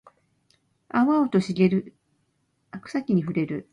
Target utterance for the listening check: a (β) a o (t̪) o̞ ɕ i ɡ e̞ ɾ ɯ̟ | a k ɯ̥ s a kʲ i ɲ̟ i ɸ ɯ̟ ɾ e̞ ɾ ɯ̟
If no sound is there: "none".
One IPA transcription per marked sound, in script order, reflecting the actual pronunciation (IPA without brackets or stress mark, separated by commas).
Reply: β, t̪